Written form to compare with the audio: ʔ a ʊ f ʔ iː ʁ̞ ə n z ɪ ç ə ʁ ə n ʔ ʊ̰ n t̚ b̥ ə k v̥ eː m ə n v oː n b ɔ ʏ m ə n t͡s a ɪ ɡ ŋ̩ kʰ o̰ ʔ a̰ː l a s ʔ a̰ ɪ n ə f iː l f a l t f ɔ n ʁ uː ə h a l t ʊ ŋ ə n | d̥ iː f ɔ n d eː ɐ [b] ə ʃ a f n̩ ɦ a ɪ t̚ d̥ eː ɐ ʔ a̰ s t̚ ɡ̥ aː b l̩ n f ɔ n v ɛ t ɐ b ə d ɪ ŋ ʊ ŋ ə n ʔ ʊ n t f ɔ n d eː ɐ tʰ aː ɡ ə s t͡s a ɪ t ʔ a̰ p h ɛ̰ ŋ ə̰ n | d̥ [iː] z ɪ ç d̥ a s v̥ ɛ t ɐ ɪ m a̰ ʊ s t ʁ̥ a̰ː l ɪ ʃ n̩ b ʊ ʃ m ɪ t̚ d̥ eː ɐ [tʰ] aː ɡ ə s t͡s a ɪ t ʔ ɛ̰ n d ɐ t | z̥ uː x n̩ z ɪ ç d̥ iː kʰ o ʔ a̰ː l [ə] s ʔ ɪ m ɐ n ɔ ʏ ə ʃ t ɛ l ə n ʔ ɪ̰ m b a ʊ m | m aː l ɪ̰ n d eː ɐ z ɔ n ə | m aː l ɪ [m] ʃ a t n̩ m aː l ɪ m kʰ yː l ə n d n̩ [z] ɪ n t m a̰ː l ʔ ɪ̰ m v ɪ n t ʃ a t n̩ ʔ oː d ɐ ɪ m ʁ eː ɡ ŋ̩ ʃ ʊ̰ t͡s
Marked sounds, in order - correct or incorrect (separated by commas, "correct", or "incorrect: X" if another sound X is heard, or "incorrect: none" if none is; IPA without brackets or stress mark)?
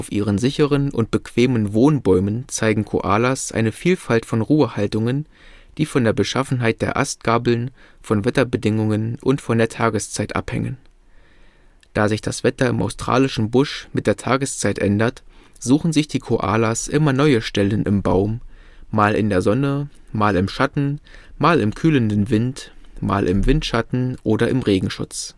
correct, incorrect: aː, correct, incorrect: a, correct, incorrect: v